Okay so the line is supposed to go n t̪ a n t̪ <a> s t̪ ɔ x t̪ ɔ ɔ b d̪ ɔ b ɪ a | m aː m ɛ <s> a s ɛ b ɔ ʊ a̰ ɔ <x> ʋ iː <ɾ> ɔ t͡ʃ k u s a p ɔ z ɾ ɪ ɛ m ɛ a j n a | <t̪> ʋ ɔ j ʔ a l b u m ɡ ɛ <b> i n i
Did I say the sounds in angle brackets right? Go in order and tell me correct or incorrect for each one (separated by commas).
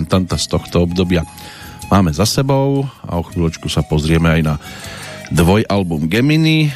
correct, incorrect, correct, incorrect, incorrect, incorrect